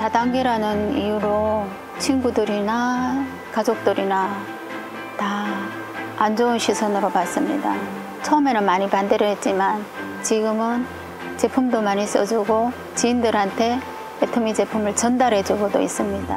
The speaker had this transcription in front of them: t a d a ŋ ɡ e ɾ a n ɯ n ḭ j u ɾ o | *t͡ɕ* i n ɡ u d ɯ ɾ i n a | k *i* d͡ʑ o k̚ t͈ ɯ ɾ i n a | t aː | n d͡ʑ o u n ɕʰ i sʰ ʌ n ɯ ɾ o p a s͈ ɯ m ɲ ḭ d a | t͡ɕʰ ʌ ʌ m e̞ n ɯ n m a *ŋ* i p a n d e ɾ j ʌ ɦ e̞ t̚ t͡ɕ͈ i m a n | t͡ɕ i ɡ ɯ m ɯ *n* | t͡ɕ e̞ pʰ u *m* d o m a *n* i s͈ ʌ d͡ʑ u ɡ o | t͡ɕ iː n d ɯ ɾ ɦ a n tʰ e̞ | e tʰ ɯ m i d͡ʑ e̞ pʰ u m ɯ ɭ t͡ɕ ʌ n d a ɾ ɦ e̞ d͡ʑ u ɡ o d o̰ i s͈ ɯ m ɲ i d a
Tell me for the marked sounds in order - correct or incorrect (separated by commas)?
incorrect, incorrect, incorrect, correct, correct, incorrect